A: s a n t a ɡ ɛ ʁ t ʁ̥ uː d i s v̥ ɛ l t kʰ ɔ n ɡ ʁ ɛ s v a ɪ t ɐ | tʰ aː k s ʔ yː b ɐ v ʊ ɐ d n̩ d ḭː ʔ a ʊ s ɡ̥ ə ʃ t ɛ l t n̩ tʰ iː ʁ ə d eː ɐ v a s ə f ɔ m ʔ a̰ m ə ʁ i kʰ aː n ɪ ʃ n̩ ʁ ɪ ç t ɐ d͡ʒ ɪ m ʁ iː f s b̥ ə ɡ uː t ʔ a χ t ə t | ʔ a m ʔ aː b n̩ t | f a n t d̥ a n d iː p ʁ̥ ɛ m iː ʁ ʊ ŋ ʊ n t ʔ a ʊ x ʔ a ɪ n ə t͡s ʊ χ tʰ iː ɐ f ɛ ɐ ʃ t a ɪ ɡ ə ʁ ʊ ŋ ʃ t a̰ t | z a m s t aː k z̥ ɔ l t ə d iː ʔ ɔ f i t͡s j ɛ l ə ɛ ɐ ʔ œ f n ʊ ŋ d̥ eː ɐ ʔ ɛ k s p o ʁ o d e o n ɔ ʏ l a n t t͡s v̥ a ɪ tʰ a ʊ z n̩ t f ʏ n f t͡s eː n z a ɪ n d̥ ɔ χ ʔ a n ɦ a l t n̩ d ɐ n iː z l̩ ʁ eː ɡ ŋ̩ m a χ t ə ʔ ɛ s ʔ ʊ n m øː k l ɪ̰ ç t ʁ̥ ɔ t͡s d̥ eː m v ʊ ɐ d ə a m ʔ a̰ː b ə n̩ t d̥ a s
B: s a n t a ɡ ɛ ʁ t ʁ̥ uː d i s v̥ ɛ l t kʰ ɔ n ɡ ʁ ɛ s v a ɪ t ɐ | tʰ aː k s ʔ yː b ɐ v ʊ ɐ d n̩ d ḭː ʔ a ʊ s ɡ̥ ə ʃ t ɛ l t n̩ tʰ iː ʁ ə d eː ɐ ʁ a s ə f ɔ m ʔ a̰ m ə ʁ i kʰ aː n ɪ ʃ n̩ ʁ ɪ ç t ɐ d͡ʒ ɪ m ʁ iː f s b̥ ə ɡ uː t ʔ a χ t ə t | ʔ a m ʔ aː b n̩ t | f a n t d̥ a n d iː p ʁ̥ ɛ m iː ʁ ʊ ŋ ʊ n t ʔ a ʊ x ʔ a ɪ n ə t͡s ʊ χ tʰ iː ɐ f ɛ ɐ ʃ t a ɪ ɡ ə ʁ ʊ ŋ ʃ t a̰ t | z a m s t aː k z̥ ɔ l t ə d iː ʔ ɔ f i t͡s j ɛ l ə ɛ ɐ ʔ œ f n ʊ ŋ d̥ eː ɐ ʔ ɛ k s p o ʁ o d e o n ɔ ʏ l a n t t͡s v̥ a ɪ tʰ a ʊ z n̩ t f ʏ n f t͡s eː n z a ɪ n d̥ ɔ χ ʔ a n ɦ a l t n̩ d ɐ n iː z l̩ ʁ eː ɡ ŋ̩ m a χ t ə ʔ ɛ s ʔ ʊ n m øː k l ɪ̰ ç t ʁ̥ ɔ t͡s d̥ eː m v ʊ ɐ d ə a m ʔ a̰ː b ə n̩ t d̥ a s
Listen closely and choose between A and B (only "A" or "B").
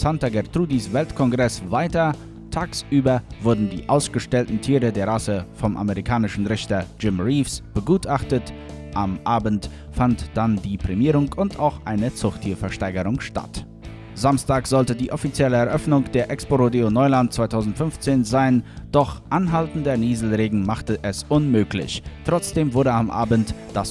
B